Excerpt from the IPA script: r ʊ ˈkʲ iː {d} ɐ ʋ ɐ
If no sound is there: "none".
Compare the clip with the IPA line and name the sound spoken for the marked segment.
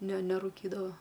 d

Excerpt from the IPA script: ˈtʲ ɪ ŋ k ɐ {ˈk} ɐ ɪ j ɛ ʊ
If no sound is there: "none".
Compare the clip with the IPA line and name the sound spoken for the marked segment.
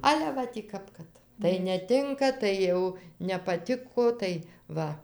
t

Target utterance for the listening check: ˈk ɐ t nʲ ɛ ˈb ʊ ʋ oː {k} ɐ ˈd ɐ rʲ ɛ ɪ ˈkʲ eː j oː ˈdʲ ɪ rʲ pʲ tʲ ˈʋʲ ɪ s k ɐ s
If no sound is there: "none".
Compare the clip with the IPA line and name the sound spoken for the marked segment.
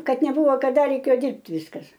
k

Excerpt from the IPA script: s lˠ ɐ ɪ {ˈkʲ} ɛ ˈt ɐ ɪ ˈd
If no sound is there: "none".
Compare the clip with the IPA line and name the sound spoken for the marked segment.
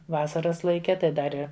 kʲ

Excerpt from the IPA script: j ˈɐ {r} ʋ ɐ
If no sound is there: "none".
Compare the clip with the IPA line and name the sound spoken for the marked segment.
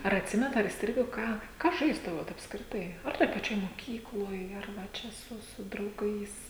r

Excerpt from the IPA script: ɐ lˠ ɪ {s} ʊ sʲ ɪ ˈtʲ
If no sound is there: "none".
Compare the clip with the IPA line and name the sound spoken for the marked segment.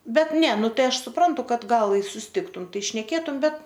s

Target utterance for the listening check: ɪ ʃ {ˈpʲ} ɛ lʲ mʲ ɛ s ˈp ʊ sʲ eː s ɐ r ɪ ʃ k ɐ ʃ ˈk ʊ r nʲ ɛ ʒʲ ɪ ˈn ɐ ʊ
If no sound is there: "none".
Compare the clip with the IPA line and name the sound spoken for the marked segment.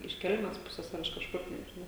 kʲ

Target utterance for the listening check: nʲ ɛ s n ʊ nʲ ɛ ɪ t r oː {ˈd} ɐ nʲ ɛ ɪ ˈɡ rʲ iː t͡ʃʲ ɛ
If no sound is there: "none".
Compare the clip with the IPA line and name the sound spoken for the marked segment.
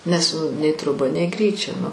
b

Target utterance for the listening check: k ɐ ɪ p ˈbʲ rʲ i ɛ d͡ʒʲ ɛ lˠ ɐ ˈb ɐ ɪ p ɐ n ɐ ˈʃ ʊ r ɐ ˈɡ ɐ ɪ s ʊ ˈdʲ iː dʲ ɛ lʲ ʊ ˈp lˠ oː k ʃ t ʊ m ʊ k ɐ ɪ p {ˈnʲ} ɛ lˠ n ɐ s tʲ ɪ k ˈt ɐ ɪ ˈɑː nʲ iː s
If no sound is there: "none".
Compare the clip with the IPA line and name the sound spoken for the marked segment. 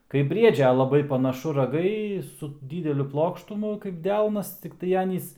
dʲ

